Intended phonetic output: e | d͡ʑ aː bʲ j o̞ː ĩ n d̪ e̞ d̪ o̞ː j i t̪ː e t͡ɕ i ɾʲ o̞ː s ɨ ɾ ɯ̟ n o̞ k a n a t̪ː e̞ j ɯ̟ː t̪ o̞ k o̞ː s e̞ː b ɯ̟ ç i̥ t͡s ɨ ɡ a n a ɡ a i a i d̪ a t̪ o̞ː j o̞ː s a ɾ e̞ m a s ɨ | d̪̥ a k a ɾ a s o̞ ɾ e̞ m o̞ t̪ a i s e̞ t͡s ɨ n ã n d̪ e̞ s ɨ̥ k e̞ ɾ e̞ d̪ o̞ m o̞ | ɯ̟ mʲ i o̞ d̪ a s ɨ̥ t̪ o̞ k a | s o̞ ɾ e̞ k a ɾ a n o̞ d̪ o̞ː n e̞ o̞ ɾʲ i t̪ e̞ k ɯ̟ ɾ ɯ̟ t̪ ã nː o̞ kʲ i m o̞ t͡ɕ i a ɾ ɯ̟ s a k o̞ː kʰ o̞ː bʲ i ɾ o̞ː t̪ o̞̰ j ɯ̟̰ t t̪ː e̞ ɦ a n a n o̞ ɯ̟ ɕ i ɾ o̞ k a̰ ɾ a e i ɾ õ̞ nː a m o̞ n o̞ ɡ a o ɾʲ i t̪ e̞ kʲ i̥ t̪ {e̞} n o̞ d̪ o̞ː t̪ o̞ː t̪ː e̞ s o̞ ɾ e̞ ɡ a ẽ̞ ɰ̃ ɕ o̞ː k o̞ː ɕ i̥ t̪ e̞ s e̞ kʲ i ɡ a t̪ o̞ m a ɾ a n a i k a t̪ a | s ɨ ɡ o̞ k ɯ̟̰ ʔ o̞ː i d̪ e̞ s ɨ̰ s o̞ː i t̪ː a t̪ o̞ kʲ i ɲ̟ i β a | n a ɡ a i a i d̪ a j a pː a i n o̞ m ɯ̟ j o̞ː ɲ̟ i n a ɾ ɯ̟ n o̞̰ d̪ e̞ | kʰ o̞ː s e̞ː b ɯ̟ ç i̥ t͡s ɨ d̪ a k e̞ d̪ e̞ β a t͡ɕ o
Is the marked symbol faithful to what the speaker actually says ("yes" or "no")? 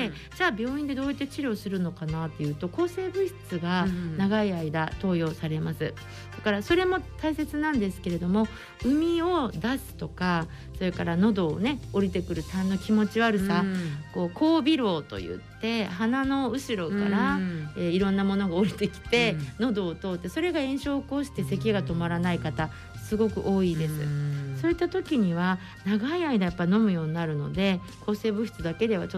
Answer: yes